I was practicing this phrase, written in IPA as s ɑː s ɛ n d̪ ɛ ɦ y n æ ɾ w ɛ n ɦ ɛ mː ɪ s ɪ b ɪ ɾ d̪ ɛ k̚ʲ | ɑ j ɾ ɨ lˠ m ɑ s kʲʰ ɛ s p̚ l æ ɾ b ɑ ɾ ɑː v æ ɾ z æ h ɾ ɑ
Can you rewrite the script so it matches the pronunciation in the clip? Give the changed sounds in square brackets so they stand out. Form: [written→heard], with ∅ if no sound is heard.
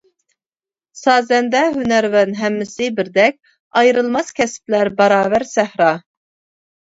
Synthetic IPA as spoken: s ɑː [s→z] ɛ n d̪ ɛ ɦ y n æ ɾ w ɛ n ɦ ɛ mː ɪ s ɪ b ɪ ɾ d̪ ɛ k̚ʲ | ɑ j ɾ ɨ lˠ m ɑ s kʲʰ ɛ s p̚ l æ ɾ b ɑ ɾ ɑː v æ ɾ [z→s] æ h ɾ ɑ